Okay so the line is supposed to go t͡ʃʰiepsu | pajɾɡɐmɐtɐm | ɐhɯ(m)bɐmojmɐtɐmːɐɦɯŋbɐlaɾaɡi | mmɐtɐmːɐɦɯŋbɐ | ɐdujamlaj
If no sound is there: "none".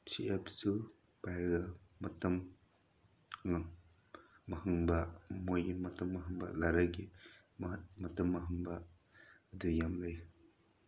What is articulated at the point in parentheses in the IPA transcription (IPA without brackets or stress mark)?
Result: ŋ